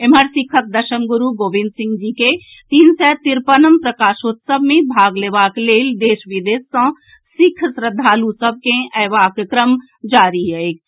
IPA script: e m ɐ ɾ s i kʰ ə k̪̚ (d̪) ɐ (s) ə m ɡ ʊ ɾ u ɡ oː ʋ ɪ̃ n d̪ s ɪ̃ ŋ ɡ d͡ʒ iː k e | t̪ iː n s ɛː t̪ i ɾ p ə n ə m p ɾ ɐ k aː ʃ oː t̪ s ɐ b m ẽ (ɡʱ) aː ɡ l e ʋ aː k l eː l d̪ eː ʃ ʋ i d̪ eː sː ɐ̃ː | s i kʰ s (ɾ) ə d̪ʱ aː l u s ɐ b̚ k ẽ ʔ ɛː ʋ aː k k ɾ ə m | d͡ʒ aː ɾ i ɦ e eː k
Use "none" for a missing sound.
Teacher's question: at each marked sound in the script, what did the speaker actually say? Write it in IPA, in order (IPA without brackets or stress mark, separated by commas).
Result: d̪, ʃ, bʱ, ɾ